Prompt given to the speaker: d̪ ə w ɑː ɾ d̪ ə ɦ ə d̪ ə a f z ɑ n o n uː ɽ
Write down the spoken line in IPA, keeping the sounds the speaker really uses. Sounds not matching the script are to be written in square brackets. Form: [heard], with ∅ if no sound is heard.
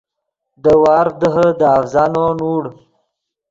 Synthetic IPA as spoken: d̪ ə w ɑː ɾ d̪ ə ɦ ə d̪ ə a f z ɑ n o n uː ɽ